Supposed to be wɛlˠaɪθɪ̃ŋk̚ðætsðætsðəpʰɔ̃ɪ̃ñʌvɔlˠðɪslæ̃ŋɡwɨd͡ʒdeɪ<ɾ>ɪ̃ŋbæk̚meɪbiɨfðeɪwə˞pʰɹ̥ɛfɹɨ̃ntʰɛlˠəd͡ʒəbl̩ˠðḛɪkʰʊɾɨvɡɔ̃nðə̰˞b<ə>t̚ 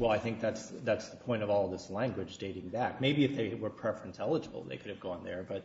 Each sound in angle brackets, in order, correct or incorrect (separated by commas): correct, incorrect